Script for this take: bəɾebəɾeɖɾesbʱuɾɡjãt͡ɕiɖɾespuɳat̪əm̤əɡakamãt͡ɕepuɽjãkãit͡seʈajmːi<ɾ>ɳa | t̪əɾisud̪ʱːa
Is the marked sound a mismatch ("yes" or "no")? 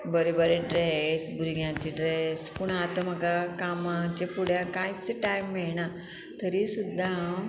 yes